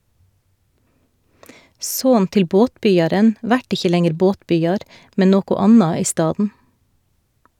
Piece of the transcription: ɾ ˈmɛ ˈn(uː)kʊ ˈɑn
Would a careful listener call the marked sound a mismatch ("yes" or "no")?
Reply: yes